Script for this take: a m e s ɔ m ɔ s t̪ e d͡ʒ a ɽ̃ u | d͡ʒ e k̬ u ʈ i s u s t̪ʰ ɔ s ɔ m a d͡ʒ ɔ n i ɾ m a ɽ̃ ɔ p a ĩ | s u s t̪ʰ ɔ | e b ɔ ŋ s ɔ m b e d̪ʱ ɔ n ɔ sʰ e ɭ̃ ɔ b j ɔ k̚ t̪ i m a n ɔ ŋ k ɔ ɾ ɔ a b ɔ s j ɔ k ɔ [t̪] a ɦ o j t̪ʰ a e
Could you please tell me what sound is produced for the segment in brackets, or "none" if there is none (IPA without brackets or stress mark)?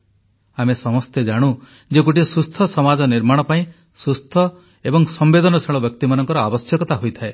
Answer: t̪